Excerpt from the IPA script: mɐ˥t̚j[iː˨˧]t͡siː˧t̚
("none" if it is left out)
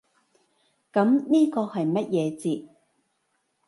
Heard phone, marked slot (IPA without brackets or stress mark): ɛː˨˧